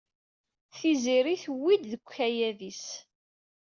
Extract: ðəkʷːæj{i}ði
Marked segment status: incorrect: æ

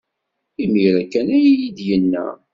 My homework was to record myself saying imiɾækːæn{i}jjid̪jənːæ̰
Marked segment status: incorrect: æ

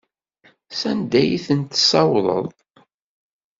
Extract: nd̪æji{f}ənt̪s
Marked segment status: incorrect: θ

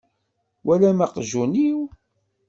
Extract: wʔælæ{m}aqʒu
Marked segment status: correct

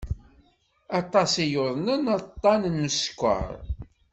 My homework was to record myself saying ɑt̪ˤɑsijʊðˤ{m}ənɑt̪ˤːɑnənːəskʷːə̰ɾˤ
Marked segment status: incorrect: n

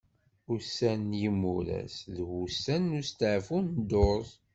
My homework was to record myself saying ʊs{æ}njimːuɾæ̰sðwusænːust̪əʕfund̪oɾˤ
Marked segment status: correct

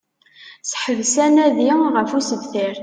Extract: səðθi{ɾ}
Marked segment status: correct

